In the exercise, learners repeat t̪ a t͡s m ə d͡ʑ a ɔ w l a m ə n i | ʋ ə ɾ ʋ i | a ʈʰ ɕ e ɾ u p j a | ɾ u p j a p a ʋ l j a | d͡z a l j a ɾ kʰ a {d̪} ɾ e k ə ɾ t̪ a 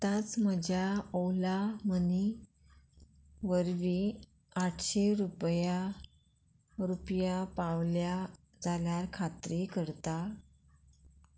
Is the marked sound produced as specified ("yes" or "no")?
no